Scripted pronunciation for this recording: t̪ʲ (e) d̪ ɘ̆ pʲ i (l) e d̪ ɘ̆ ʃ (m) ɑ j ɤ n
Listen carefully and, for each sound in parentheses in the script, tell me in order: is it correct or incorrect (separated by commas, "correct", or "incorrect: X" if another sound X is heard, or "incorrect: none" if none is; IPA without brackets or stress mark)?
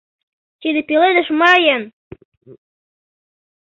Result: incorrect: i, correct, correct